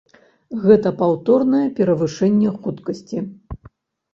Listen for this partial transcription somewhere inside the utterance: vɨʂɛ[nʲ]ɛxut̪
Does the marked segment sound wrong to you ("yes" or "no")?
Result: yes